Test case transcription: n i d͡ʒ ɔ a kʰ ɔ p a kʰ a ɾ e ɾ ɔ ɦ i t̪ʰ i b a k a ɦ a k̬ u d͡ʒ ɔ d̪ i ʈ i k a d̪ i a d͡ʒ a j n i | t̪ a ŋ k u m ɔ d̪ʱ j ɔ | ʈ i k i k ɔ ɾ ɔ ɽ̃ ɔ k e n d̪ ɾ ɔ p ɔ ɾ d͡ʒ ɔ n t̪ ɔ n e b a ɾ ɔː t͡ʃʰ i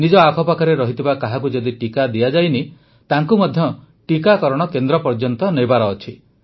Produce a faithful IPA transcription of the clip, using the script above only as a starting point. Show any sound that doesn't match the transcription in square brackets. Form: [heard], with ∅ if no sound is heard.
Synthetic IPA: n i d͡ʒ ɔ a kʰ ɔ p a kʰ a ɾ e ɾ ɔ ɦ i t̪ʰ i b a k a ɦ a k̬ u d͡ʒ ɔ d̪ i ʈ i k a d̪ i a d͡ʒ a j n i | t̪ a ŋ k u m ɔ d̪ʱ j ɔ | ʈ i k [a] k ɔ ɾ ɔ ɽ̃ ɔ k e n d̪ ɾ ɔ p ɔ ɾ d͡ʒ ɔ n t̪ ɔ n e b a ɾ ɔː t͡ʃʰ i